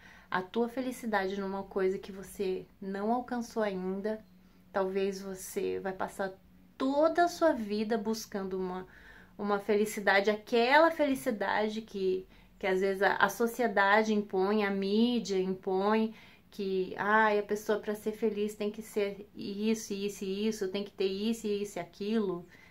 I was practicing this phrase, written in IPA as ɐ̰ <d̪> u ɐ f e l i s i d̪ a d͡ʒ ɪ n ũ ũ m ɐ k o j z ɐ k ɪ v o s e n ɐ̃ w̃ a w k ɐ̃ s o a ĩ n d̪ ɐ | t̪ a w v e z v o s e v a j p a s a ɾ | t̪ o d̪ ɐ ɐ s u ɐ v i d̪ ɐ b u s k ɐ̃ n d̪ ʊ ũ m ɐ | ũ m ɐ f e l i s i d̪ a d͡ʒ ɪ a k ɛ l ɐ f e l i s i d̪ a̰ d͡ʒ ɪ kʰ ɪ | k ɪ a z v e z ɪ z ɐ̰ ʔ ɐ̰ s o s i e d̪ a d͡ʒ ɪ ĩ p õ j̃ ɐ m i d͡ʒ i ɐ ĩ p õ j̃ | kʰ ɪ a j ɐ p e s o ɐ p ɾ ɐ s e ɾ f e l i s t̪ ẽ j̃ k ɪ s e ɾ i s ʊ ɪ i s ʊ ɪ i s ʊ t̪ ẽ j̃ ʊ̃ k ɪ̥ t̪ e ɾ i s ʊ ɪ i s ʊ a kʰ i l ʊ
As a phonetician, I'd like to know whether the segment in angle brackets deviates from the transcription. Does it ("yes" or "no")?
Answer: yes